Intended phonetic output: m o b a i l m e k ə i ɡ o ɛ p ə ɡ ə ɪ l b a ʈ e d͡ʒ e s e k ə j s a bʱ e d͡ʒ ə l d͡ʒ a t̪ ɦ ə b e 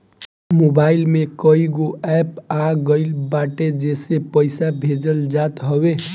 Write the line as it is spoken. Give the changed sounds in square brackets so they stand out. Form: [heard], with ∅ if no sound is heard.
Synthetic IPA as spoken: m o b a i l m e k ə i ɡ o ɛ p [a] ɡ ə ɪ l b a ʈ e d͡ʒ e s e [p] ə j s a bʱ e d͡ʒ ə l d͡ʒ a t̪ ɦ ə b e